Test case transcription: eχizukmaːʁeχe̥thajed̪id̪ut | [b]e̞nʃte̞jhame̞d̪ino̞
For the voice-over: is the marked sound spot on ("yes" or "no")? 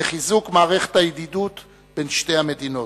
yes